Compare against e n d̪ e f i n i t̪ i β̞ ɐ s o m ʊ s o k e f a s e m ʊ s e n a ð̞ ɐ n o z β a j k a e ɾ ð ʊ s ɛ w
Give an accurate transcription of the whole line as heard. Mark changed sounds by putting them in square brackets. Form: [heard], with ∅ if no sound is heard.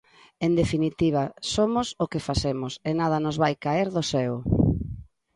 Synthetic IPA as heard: e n d̪ e f i n i t̪ i β̞ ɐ s o m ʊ s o k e f a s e m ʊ s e n a ð̞ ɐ n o z β a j k a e ɾ ð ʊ s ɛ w